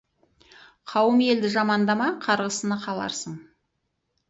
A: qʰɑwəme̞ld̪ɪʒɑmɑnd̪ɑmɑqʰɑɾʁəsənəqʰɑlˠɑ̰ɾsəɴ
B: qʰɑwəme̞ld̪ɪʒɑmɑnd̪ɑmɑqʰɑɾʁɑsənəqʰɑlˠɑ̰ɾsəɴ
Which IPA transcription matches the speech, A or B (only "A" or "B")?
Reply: A